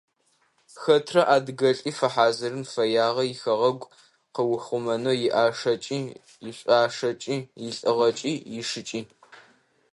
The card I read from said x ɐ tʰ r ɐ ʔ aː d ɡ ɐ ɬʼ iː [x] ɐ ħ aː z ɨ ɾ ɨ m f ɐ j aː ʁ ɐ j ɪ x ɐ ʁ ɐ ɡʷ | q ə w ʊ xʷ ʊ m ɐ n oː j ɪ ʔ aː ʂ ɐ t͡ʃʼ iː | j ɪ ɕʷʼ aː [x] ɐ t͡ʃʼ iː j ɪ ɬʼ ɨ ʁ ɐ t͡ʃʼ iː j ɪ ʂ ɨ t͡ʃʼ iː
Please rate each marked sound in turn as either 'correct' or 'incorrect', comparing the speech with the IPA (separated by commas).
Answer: incorrect, incorrect